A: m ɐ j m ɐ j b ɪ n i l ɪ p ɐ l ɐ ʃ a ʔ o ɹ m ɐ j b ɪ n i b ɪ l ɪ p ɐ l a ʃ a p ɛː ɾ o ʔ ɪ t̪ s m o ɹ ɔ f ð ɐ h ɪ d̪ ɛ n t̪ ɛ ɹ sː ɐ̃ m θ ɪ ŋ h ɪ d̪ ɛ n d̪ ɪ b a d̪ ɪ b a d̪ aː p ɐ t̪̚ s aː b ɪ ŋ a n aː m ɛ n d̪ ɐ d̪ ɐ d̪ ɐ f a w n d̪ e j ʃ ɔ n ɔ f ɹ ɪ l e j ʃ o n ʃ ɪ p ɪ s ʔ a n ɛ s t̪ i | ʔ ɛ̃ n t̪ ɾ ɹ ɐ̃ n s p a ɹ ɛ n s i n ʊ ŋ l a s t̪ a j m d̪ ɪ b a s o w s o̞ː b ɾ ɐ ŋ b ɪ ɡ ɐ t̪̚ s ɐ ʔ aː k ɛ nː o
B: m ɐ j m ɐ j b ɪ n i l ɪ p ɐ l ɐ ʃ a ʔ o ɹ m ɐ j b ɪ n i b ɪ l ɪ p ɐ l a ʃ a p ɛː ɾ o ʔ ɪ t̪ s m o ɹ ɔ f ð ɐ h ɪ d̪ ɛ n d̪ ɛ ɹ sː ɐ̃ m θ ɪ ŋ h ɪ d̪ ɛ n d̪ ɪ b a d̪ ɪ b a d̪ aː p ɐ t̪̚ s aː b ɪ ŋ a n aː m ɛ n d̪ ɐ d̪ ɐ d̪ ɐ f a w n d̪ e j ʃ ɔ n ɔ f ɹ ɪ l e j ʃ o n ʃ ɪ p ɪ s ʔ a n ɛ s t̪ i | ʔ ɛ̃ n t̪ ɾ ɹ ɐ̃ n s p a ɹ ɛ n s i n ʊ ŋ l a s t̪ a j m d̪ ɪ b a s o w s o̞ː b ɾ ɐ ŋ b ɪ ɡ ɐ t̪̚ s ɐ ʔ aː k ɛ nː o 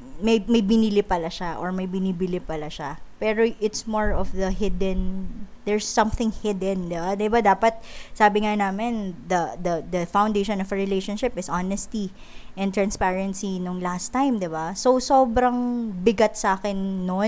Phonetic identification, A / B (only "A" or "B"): B